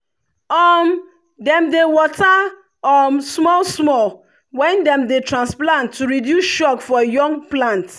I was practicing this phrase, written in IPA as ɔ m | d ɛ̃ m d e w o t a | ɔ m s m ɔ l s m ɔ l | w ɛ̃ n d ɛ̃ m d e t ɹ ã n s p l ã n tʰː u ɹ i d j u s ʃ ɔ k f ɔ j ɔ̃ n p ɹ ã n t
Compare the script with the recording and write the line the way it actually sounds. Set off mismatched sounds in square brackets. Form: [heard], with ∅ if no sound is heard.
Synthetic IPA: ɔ m | d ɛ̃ m d e w [ɔ] t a | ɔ m s m ɔ l s m ɔ l | w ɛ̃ n d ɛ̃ m d e t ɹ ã n s p l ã n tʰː u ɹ i d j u s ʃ ɔ k f ɔ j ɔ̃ [ŋ] p [l] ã n t